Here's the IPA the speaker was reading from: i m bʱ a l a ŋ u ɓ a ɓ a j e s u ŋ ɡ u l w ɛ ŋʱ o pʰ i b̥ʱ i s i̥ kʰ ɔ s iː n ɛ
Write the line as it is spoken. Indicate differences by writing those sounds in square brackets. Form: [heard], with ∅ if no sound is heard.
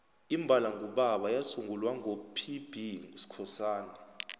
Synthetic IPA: i m bʱ a l a ŋ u ɓ a ɓ a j [a] s u ŋ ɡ u l w [a] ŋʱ o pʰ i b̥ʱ i s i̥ kʰ ɔ s [aː] n ɛ